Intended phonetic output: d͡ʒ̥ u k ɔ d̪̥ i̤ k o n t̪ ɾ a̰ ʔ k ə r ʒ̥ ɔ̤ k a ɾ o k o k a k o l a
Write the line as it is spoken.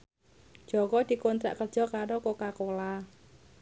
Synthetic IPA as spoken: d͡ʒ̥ ɔ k ɔ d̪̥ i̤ k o n t̪ ɾ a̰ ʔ k ə r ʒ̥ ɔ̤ k a ɾ o k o k a k o l a